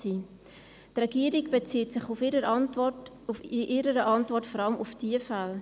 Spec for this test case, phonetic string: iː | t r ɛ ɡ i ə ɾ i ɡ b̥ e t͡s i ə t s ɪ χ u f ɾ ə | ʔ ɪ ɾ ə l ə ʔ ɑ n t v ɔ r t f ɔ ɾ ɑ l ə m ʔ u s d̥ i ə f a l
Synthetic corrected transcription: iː | t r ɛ ɡ i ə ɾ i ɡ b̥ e t͡s i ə t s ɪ χ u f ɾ ə | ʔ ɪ ɾ ə ɾ ə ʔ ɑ n t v ɔ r t f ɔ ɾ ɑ l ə m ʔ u f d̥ i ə f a l